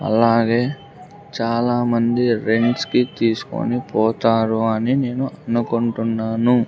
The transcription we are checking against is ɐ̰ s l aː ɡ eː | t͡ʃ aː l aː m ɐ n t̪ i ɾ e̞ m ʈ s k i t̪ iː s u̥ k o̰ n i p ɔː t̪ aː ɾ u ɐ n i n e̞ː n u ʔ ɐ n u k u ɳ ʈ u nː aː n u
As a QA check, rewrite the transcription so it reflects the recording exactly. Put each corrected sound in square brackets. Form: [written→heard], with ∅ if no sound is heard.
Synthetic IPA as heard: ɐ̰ [s→∅] l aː ɡ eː | t͡ʃ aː l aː m ɐ n [t̪→d̪] i ɾ e̞ [m→ɳ] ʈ s k i t̪ iː s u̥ k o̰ n i p ɔː t̪ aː ɾ u ɐ n i n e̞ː n u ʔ ɐ n u k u ɳ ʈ u nː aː n u